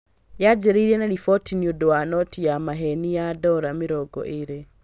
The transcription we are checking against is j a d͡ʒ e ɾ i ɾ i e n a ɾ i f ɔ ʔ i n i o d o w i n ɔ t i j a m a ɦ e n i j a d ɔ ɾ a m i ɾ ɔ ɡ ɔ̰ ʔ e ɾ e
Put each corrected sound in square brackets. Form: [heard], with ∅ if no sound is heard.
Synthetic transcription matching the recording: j a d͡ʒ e ɾ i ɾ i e n a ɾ i f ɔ [t] i n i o d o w [a] n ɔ t i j a m a ɦ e n i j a d ɔ ɾ a m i ɾ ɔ ɡ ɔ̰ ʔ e ɾ e